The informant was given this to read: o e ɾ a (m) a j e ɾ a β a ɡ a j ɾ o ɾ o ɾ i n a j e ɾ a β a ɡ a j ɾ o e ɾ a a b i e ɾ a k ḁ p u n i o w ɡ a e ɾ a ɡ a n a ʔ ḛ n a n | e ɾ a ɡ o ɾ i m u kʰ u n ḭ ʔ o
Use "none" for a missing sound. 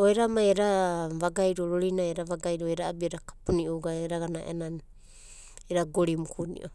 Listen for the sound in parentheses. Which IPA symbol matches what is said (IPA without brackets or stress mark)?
m